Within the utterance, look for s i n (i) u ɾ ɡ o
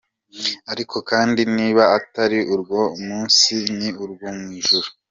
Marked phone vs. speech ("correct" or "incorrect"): correct